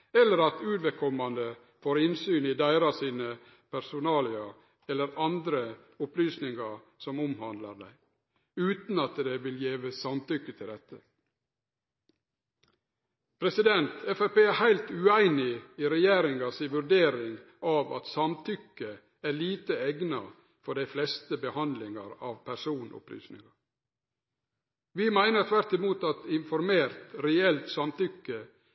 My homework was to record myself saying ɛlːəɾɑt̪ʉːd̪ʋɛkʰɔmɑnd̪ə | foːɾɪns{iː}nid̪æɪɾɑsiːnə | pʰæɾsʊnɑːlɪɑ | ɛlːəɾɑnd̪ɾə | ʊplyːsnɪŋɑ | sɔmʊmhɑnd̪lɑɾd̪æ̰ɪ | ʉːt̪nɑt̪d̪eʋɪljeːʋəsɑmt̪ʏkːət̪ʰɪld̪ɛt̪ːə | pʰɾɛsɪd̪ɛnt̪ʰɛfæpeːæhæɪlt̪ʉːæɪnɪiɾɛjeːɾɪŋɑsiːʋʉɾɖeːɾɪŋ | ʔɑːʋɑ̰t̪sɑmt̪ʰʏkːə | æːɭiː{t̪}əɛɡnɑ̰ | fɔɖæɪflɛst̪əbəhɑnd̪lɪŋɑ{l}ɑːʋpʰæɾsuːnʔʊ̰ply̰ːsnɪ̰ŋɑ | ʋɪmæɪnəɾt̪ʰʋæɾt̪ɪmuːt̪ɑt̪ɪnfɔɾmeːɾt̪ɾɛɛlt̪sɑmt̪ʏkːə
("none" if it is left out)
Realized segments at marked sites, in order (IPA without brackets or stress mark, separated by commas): yː, t̪, ɾ